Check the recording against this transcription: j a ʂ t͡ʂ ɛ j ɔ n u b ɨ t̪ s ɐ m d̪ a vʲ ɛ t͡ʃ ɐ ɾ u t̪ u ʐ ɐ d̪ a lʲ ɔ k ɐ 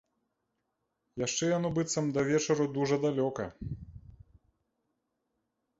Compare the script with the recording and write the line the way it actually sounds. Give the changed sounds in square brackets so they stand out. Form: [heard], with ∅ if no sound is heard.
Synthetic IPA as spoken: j a ʂ t͡ʂ ɛ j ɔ n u b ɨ t̪ s ɐ m d̪ [ɐ] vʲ ɛ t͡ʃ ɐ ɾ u [d̪] u ʐ ɐ d̪ a lʲ ɔ k ɐ